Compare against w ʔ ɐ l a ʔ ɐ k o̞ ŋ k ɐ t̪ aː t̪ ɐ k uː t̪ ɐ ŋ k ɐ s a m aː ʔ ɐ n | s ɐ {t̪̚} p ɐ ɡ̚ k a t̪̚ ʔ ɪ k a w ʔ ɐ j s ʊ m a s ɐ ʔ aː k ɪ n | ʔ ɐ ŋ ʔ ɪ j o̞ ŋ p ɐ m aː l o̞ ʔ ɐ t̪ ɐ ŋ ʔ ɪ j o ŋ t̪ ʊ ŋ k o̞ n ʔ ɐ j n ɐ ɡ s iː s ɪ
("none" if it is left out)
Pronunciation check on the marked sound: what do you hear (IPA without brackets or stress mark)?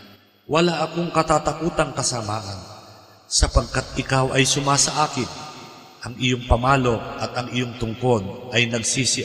none